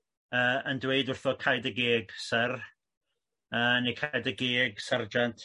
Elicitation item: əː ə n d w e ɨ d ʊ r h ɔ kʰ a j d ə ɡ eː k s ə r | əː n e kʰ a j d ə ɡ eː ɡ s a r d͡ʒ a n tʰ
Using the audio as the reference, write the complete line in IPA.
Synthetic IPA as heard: əː ə n d w e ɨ d ʊ r θ ɔ kʰ a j d ə ɡ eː ɡ s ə r | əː n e kʰ a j d ə ɡ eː ɡ s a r d͡ʒ a n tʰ